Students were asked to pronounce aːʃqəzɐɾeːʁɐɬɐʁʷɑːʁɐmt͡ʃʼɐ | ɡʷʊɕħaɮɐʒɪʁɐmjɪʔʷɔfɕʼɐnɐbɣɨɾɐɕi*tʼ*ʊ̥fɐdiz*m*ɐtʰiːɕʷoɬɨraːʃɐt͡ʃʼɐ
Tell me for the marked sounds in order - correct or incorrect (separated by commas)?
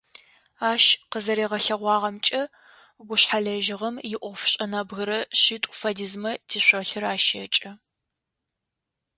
correct, correct